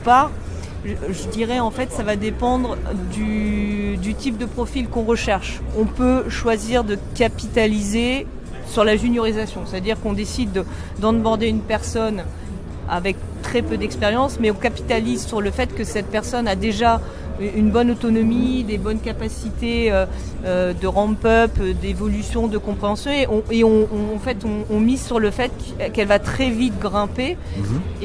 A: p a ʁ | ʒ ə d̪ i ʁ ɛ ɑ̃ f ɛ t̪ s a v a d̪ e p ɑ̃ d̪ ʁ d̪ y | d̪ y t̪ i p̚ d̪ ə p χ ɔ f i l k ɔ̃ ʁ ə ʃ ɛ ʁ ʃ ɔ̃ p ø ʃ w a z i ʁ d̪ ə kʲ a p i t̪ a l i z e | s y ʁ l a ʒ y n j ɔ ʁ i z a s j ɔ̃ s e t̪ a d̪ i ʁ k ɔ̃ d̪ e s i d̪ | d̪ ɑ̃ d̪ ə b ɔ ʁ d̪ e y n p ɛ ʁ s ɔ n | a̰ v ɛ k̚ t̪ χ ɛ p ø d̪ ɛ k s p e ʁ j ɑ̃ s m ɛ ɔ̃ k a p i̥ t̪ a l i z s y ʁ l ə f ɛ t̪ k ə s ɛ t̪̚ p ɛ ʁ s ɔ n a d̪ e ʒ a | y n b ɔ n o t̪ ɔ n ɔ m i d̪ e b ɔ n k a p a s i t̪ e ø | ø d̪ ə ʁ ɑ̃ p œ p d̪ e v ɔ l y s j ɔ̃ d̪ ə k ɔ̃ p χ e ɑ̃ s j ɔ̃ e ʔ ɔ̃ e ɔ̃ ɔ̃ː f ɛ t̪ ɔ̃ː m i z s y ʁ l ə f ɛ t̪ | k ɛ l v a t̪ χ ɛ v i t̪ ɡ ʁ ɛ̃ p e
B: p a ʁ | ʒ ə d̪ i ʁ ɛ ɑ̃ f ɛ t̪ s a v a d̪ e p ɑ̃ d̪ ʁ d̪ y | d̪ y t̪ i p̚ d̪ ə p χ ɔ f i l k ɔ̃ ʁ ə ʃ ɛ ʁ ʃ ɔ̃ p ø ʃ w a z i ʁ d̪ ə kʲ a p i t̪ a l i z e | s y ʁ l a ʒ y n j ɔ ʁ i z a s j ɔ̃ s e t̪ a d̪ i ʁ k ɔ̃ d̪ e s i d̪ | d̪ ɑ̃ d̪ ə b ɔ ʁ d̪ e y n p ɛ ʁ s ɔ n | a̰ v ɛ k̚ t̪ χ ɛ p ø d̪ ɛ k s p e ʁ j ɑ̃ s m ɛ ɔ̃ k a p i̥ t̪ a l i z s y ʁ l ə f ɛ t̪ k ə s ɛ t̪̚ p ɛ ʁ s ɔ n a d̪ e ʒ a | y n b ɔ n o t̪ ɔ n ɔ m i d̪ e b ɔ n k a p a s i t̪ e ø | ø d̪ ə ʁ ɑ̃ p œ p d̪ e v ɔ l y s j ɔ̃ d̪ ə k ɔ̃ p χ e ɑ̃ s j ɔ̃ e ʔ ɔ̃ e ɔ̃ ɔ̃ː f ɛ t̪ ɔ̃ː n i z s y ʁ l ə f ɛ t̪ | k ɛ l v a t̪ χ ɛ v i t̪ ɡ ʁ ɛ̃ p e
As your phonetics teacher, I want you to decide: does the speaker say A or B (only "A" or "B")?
A